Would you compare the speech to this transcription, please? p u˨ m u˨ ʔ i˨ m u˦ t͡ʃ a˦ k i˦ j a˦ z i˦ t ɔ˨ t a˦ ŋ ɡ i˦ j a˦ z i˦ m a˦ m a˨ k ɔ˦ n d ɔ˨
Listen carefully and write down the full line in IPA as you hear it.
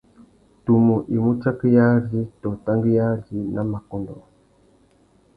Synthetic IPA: t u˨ m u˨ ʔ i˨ m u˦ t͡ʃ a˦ k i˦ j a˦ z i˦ t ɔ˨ t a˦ ŋ ɡ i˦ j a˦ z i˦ n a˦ m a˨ k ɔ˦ n d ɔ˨